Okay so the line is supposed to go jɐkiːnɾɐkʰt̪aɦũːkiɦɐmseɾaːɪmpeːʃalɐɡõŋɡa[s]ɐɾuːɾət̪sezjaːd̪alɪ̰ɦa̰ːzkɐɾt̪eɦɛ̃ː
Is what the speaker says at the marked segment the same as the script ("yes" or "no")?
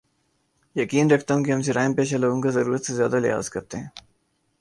no